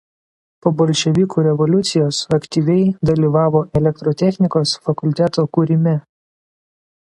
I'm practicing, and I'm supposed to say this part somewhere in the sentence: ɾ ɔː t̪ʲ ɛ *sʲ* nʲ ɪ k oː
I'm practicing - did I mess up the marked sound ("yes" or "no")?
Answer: yes